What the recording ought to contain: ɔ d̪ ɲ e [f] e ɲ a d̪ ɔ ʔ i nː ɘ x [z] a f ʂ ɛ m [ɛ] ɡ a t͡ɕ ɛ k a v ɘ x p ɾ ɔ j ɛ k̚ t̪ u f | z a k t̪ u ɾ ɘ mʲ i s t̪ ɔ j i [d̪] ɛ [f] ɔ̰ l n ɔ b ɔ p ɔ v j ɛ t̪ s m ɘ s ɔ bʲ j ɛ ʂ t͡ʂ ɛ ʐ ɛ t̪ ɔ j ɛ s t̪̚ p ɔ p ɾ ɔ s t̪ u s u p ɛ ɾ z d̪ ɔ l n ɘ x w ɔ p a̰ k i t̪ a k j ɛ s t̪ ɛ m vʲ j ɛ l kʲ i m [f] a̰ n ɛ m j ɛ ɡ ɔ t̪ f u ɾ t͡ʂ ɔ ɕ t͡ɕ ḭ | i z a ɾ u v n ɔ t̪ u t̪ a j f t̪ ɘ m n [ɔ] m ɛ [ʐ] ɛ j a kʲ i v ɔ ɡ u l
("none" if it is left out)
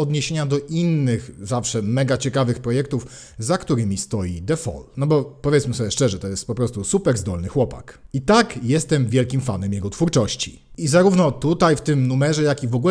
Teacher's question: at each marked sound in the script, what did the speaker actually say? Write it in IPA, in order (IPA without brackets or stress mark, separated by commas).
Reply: ɕ, z, ɛ, d̪, f, f, u, ʐ